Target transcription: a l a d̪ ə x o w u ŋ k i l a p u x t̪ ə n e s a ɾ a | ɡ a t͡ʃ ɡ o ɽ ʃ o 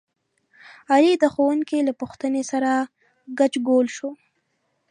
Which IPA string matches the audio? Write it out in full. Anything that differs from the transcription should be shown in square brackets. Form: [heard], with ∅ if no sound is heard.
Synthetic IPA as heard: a l [i] d̪ ə x o w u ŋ k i l a p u x t̪ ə n e s a ɾ a | ɡ a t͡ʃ ɡ o [l] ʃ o